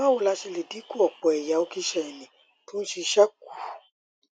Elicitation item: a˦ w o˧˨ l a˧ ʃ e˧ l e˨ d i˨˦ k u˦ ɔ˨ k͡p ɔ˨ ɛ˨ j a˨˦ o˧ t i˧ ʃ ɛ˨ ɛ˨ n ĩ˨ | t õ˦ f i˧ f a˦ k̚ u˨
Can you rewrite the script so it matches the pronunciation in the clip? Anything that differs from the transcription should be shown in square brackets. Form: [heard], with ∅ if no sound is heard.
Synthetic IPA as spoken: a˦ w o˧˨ l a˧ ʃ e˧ l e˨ d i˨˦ k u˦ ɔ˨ k͡p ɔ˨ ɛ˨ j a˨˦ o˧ [k] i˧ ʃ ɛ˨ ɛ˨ n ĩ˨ | t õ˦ [ʃ] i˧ [ʃ] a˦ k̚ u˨